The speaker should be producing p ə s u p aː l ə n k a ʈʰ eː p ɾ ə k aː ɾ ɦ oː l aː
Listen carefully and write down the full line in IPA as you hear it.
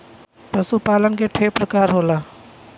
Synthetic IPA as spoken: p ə s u p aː l ə n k e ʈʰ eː p ɾ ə k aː ɾ ɦ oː l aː